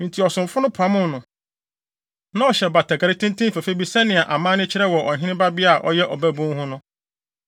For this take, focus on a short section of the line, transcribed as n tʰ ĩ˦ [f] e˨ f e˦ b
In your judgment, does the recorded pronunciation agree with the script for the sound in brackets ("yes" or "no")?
yes